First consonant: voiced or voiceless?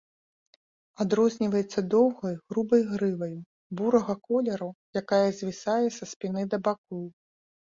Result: voiced